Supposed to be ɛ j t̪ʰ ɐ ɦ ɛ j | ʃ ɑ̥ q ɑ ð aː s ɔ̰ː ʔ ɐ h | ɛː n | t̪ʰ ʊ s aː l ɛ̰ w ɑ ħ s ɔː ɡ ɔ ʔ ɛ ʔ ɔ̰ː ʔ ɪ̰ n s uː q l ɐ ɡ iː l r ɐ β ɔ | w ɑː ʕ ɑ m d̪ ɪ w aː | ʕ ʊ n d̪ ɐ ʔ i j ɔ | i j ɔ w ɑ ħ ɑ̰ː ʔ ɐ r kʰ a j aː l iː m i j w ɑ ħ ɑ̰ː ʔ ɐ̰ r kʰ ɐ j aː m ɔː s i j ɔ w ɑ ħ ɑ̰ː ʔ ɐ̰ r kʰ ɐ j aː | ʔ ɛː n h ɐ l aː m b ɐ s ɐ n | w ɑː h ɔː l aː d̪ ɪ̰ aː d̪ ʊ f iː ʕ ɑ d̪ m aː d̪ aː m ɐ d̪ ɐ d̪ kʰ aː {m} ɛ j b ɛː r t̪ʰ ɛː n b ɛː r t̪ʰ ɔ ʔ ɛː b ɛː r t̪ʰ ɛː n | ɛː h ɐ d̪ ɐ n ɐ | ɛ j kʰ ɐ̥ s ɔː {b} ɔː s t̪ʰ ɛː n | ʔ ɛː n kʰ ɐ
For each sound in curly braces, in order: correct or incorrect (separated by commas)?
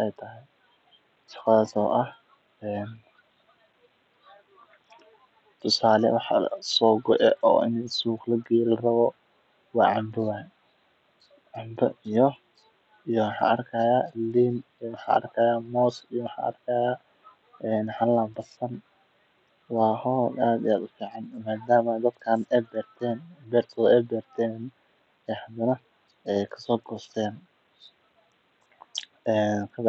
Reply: incorrect, incorrect